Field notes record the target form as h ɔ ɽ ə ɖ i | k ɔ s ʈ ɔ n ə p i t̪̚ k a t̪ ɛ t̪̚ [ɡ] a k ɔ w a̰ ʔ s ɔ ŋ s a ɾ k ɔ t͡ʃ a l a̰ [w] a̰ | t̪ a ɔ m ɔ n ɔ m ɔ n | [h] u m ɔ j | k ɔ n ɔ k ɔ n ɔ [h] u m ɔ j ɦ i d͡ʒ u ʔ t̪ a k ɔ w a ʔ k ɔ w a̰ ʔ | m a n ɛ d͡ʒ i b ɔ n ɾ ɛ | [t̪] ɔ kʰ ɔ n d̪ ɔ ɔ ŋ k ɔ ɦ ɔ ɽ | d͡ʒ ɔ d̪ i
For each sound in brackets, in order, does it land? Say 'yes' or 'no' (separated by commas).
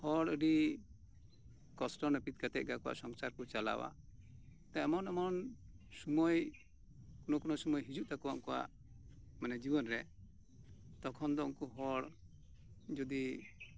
yes, yes, no, no, yes